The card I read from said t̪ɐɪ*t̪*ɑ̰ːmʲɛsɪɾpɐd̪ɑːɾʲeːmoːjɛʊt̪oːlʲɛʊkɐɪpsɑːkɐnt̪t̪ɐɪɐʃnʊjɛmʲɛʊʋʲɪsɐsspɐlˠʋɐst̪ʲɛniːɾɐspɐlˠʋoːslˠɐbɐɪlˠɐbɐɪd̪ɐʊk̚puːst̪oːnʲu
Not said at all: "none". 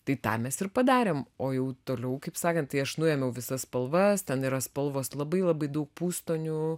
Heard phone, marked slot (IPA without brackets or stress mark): t̪